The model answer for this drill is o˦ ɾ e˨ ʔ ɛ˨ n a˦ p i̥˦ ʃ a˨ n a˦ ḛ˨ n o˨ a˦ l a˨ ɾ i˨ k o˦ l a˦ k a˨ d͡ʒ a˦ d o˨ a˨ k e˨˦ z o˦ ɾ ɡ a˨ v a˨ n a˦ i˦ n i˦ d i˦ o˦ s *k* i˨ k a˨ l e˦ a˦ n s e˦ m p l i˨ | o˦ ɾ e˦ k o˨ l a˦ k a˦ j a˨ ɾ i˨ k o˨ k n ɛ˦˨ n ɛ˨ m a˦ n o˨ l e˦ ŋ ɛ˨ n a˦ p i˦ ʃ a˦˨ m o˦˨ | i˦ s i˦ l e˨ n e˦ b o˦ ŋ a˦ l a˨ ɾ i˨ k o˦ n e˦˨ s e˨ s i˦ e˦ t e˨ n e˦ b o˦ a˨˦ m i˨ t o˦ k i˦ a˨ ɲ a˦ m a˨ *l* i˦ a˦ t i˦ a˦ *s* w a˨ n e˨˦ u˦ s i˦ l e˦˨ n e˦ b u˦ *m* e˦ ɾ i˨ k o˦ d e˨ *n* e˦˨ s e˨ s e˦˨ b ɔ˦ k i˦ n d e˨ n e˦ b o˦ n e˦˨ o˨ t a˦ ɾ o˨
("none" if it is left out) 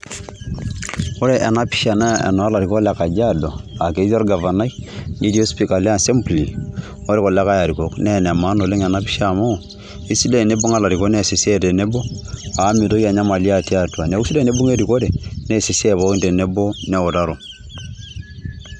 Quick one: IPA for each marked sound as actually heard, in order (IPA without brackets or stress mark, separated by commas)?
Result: p, l, t, ŋ, n